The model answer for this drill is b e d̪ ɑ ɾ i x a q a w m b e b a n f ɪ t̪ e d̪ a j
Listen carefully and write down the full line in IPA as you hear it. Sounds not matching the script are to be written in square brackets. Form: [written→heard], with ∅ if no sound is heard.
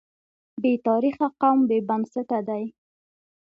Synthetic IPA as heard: b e [d̪→t̪] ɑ ɾ i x a q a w m b e b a n [f→s] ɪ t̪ [e→a] d̪ a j